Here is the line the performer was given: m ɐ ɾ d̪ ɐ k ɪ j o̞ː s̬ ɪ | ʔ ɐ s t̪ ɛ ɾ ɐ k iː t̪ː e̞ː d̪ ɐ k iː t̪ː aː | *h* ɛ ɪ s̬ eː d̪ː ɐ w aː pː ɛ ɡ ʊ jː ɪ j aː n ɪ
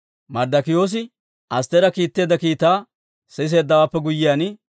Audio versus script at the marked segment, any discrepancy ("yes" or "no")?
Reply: yes